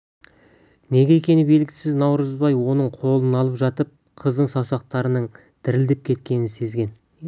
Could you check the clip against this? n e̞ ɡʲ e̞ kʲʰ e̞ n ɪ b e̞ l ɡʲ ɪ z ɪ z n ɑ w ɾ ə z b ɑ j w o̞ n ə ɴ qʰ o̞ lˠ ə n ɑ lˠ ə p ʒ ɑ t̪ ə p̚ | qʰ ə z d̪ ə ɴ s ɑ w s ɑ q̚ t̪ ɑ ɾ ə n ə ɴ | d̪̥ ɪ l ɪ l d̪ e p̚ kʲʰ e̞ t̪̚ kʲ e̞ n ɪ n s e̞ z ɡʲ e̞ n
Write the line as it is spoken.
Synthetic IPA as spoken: n e̞ ɡʲ e̞ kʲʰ e̞ n ɪ b e̞ l ɡʲ ɪ s ɪ z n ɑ w ɾ ə z b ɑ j w o̞ n ə ɴ qʰ o̞ lˠ ə n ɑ lˠ ə p ʒ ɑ t̪ ə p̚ | qʰ ə z d̪ ə ɴ s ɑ w s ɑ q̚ t̪ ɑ ɾ ə n ə ɴ | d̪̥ ɪ ɾ ɪ l d̪ e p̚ kʲʰ e̞ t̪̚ kʲ e̞ n ɪ n s e̞ z ɡʲ e̞ n